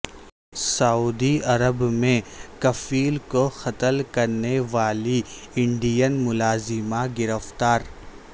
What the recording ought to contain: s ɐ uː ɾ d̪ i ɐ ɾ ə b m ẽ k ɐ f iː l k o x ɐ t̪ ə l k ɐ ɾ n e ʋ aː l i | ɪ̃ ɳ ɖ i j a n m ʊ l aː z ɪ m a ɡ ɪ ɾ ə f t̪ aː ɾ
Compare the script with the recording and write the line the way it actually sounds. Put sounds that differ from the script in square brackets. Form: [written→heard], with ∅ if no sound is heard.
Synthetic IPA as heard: s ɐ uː [ɾ→∅] d̪ i ɐ ɾ ə b m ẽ k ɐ f iː l k o x ɐ t̪ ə l k ɐ ɾ n e ʋ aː l i | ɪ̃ ɳ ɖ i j [a→ə] n m ʊ l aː z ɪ m a ɡ ɪ ɾ ə f t̪ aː ɾ